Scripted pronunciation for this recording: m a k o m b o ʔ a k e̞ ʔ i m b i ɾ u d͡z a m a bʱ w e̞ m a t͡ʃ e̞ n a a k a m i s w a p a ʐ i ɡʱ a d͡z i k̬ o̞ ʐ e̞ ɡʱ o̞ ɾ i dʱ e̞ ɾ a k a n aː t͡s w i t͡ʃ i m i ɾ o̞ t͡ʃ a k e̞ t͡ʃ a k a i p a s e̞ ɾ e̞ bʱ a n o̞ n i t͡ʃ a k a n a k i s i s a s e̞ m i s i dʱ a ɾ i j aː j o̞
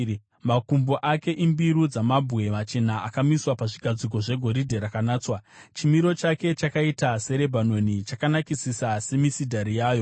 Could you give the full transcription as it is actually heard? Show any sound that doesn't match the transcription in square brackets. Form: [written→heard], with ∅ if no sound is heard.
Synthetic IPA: m a k [o→u] m b o ʔ a k e̞ ʔ i m b i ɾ u d͡z a m a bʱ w e̞ m a t͡ʃ e̞ n a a k a m i s w a p a ʐ i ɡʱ a d͡z i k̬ o̞ ʐ e̞ ɡʱ o̞ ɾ i dʱ e̞ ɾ a k a n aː t͡s w [i→a] t͡ʃ i m i ɾ o̞ t͡ʃ a k e̞ t͡ʃ a k a i [p→t] a s e̞ ɾ e̞ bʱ a n o̞ n i t͡ʃ a k a n a k i s i s a s e̞ m i s i dʱ a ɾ i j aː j o̞